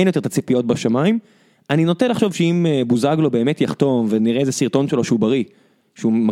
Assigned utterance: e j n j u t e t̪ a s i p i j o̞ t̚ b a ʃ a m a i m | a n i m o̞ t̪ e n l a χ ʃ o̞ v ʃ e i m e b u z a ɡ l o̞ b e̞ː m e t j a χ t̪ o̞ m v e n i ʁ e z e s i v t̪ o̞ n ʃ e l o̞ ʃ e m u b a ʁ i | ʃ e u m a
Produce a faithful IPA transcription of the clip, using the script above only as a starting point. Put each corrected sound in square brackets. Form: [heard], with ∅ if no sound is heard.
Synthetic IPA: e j n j [o] t e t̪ a [t͡s] i p i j o̞ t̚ b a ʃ a m a i m | a n i [n] o̞ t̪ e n l a χ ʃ o̞ v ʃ e i m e b u z a ɡ l o̞ b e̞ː m e t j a χ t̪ o̞ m v e n i ʁ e z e s i [ʁ] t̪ o̞ n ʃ e l o̞ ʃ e [∅] u b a ʁ i | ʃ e u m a